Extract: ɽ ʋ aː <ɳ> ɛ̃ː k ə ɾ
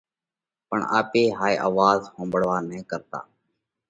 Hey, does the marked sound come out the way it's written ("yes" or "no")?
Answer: no